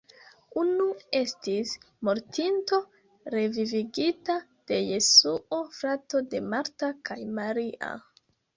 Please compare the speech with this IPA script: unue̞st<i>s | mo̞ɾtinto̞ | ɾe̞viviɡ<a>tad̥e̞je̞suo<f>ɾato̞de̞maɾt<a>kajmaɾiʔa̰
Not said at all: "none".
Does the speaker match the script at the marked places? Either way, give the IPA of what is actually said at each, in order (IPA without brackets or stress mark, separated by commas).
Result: i, i, f, a